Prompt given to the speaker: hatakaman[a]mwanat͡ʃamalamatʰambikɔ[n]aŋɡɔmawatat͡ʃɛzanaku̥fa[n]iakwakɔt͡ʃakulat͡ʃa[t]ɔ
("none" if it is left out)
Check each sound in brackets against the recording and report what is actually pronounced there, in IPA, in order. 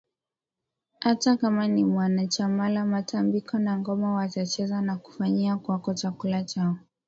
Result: i, n, ɲ, none

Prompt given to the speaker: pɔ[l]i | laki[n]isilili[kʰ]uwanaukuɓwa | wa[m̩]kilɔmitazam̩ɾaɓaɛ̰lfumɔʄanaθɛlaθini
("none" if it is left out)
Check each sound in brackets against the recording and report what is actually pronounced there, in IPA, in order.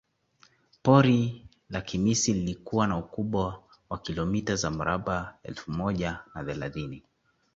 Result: ɾ, m, k, none

